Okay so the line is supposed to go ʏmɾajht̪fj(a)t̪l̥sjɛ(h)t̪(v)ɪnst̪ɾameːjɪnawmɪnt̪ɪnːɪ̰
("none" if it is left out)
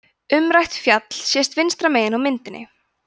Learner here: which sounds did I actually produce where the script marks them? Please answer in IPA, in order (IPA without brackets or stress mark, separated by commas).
a, s, v